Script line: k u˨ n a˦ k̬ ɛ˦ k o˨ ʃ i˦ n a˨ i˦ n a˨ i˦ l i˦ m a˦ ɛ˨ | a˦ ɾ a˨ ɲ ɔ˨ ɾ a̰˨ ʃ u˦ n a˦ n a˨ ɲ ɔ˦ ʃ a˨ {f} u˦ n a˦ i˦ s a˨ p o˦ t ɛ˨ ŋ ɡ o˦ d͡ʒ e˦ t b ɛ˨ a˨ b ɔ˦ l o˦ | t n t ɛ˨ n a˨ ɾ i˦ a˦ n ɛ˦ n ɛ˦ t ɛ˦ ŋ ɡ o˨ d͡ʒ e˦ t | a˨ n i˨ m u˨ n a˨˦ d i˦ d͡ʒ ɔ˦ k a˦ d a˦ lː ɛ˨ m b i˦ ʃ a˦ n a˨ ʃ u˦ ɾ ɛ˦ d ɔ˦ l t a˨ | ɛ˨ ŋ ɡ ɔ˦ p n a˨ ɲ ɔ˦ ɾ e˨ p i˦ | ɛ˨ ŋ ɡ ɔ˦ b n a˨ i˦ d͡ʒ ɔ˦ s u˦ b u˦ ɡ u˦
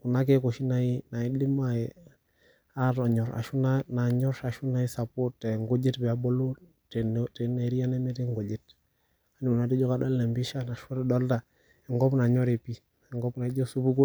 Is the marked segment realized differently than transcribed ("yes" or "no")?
yes